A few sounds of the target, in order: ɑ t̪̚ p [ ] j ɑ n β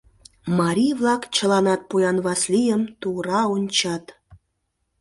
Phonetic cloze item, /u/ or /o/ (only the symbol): u